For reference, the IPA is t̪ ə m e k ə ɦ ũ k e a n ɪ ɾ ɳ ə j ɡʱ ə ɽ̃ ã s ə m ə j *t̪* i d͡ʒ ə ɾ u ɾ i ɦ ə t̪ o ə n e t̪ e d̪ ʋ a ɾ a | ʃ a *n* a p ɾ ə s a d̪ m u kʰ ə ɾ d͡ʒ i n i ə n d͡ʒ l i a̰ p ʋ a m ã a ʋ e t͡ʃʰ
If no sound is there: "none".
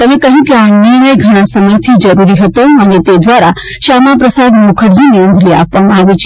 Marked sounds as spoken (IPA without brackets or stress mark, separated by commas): t̪ʰ, m